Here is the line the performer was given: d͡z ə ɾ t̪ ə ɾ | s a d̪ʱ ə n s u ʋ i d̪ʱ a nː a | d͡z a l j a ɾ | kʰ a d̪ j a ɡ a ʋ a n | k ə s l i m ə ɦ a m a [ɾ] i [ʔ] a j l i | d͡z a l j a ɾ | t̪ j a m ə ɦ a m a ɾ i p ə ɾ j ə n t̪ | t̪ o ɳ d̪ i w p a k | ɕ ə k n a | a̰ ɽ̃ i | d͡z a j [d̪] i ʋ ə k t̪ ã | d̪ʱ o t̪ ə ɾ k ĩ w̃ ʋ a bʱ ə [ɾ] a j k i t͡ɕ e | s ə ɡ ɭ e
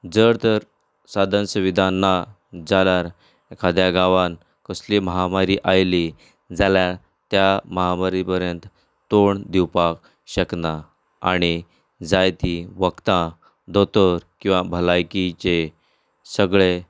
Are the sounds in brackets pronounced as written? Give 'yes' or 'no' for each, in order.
yes, yes, no, no

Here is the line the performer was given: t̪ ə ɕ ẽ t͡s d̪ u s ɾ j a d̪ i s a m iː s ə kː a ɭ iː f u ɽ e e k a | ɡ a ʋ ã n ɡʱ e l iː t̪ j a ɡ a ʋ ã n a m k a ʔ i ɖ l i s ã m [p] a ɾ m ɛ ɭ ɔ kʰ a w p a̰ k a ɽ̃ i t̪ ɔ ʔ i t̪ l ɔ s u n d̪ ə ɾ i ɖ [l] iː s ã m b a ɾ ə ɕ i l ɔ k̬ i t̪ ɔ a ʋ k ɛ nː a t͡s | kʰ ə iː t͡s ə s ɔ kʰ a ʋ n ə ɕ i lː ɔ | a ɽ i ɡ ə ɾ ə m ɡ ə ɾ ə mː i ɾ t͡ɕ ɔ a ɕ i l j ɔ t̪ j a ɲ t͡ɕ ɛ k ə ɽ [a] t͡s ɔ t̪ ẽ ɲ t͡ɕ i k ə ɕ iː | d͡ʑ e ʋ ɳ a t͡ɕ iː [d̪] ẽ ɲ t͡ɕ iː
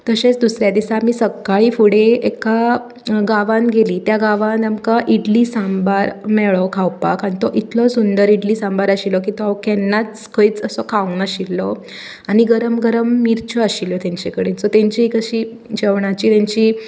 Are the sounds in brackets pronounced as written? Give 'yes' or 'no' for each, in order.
no, yes, no, no

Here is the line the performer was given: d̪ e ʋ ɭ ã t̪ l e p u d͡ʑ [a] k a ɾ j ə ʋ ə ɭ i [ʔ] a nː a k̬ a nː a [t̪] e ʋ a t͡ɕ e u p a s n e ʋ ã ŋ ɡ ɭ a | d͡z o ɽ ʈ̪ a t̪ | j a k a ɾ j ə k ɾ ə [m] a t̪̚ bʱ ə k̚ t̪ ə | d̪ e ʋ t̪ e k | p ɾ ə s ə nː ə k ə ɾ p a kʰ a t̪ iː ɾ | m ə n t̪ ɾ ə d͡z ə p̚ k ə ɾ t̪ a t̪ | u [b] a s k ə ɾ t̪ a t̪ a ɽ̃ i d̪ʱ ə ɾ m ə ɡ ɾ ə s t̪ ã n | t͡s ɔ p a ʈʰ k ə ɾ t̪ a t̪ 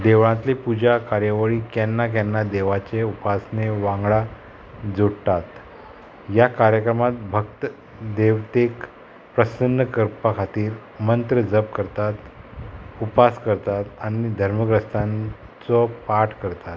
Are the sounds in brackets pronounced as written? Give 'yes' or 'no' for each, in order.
yes, no, no, yes, no

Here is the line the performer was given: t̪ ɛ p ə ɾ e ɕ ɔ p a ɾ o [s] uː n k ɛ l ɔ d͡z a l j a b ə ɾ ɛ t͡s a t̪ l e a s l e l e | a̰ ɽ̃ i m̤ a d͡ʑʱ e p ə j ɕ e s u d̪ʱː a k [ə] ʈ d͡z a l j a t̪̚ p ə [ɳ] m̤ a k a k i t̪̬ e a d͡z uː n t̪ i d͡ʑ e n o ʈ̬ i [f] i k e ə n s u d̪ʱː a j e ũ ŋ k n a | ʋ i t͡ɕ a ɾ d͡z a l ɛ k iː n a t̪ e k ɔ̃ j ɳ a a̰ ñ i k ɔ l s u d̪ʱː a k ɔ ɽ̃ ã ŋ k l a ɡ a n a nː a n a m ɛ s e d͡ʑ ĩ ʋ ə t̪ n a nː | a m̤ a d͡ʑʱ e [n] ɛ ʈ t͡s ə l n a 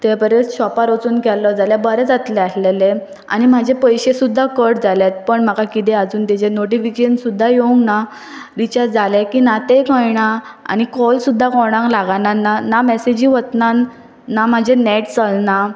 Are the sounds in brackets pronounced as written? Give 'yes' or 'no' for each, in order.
no, yes, yes, yes, yes

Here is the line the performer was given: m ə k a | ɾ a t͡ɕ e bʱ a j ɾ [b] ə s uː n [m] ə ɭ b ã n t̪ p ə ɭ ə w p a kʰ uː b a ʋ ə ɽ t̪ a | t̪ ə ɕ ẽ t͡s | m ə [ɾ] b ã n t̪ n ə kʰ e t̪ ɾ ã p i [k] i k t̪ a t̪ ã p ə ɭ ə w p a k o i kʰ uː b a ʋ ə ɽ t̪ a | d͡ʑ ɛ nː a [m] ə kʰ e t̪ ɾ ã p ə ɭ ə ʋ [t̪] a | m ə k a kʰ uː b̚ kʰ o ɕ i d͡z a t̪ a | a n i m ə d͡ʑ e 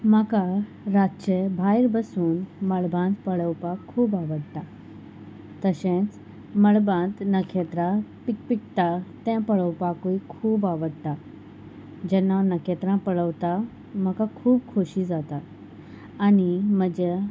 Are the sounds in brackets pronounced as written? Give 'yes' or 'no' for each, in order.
yes, yes, no, no, no, yes

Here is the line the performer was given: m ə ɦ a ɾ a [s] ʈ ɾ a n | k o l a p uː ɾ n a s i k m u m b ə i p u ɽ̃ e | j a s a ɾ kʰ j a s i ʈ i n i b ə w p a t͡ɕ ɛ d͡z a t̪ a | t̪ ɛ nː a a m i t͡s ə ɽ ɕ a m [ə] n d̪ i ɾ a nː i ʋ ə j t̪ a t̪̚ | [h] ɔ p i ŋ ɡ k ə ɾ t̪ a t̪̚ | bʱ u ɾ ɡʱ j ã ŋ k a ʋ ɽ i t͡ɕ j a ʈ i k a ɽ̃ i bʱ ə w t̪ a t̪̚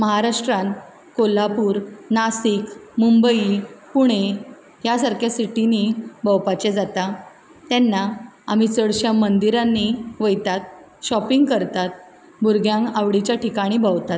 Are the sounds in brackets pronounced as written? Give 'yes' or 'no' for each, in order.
no, yes, no

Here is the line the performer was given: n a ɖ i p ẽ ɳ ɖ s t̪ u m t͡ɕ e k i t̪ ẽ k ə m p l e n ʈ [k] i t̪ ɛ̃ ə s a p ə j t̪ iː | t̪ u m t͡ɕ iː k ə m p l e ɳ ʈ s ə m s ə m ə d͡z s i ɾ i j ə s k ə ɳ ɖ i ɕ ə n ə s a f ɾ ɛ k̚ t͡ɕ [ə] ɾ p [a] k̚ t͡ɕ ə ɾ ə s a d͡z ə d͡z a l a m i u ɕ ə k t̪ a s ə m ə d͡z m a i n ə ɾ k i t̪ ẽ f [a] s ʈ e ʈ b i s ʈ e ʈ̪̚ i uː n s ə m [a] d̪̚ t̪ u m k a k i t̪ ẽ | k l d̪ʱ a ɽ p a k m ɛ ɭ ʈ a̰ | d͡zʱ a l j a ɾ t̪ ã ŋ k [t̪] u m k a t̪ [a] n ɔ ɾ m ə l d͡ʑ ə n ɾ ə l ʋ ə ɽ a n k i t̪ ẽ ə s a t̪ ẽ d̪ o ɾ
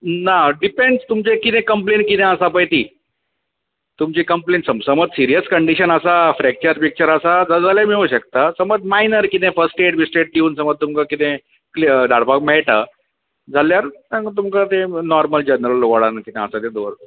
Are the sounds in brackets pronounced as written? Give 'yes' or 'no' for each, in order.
yes, yes, no, no, no, yes, no

